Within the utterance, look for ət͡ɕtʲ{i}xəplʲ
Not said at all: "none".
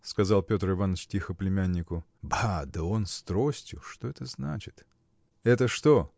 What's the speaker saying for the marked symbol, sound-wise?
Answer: i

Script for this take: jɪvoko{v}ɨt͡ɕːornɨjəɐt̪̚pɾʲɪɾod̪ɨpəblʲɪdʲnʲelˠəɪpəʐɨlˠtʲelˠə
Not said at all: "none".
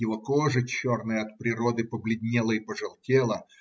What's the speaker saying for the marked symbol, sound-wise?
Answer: ʐ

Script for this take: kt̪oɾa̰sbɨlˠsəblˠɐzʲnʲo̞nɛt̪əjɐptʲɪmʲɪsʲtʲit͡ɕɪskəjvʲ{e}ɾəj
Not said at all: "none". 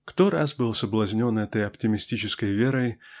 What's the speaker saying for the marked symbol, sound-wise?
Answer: e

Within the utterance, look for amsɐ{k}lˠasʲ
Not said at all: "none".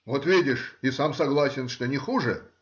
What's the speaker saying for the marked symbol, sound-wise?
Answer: ɡ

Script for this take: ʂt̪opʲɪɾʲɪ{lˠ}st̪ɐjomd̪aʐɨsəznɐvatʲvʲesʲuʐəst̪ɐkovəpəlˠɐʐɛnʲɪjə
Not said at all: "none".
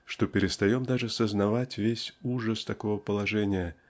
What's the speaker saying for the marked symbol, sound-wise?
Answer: none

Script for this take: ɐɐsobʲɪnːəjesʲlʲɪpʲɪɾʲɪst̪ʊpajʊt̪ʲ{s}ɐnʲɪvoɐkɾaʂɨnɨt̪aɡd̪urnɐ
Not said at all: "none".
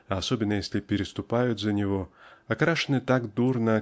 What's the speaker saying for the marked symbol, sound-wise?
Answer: z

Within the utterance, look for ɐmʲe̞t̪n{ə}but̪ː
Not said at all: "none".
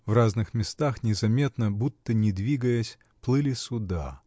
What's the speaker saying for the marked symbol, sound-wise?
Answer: ə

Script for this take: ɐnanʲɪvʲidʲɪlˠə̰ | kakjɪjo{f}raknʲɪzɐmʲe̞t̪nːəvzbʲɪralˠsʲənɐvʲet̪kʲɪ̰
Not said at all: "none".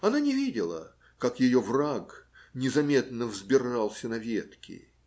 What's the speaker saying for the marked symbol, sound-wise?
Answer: v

